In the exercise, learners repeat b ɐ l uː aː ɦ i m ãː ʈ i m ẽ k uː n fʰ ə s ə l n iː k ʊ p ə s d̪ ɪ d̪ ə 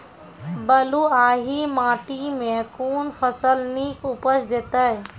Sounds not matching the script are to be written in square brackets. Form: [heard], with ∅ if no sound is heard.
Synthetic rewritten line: b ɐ l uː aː ɦ i m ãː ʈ i m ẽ k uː n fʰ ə s ə l n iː k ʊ p ə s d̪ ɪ [t̪] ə